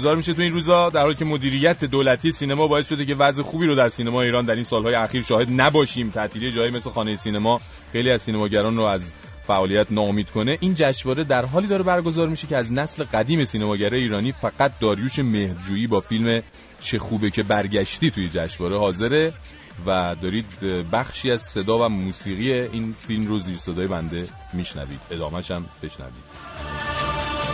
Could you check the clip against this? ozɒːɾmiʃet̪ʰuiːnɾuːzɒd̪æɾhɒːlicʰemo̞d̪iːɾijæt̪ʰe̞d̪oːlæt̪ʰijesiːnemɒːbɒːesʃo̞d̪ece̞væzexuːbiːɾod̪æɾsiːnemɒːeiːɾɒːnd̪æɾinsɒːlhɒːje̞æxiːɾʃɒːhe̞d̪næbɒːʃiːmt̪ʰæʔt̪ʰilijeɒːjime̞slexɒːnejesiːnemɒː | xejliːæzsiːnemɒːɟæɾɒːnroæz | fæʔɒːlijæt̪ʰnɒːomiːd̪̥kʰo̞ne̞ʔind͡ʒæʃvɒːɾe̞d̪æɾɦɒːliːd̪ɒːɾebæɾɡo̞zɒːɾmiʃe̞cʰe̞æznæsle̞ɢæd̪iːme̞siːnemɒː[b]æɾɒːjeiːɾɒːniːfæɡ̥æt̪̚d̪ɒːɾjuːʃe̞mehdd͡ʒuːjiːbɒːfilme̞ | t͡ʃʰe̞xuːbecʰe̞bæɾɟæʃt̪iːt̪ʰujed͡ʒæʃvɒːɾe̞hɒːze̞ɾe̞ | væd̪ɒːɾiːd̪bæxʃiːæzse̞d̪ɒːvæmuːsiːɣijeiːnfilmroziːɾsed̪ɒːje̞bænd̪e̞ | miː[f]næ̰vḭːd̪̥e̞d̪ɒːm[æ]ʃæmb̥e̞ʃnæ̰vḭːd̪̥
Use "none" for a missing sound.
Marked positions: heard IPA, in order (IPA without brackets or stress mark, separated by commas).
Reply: ɟ, ʃ, æ